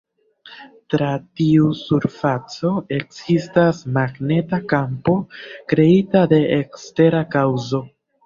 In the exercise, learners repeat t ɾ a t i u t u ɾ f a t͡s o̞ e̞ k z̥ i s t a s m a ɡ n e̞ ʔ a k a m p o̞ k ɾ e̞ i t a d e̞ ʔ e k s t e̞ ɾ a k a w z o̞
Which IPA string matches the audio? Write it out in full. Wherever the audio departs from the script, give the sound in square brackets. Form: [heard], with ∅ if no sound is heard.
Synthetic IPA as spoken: t ɾ a t i u [s] u ɾ f a t͡s o̞ e̞ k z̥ i s t a s m a ɡ n e̞ [t] a k a m p o̞ k ɾ e̞ i t a d e̞ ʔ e k s t e̞ ɾ a k a w z o̞